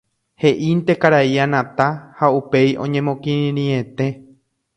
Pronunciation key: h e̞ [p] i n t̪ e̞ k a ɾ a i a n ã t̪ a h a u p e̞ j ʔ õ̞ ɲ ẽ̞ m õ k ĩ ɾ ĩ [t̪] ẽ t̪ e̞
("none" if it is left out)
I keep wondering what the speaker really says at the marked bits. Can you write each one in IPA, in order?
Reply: ʔ, none

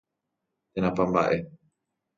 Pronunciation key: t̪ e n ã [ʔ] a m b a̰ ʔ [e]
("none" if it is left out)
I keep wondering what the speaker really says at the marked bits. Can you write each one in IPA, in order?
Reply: p, e

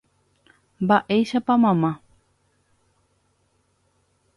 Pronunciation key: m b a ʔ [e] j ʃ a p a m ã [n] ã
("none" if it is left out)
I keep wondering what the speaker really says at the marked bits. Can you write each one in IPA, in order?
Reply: e, m

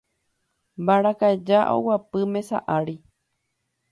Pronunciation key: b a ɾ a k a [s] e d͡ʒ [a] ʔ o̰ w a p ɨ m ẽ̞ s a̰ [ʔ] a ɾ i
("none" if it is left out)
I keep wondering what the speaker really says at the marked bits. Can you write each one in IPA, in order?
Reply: none, a, ʔ

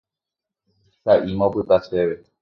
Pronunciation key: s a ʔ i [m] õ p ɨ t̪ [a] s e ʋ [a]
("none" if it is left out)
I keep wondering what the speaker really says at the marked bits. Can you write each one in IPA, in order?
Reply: m, a, e

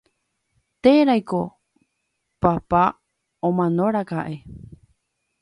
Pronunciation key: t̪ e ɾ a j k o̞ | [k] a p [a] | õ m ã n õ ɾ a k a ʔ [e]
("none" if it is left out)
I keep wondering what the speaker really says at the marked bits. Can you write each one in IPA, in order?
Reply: p, a, e

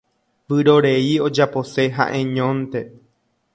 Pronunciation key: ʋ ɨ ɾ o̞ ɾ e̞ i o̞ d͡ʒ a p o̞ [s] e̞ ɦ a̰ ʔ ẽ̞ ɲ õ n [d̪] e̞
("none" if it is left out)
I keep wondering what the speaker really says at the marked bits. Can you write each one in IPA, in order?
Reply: s, t̪

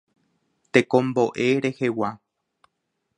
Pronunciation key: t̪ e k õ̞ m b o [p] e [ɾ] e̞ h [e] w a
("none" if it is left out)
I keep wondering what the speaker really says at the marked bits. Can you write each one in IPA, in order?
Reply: ʔ, ɾ, e

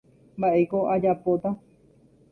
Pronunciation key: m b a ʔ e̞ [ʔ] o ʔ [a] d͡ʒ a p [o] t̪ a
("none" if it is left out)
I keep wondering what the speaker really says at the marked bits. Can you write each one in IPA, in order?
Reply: k, a, o

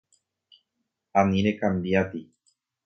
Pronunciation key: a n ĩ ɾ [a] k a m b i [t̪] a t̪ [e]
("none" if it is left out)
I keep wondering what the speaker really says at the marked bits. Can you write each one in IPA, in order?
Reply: e, none, i

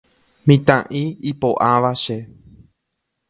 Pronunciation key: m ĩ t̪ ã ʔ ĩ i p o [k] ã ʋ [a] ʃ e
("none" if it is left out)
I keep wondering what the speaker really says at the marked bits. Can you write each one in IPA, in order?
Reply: ʔ, a

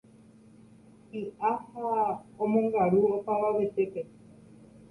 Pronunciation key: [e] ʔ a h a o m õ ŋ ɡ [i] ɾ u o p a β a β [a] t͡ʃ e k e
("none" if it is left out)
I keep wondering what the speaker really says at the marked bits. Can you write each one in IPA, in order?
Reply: i, a, e

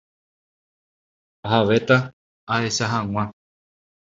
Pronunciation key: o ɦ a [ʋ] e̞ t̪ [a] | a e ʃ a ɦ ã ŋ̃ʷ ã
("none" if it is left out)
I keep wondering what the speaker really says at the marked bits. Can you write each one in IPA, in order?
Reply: ʋ, a

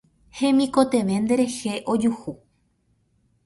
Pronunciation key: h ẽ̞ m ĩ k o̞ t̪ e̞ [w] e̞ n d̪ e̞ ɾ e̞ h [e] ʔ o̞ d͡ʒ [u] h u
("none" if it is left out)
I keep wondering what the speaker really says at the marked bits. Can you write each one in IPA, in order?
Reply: ʋ, e, u

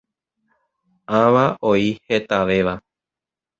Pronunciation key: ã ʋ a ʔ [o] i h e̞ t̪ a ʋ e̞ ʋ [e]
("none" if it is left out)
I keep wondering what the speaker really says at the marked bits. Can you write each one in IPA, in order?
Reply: o, a

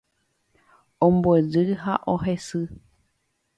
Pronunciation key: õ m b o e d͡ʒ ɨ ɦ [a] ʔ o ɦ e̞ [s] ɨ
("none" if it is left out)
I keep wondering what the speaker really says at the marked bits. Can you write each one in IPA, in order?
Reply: a, s

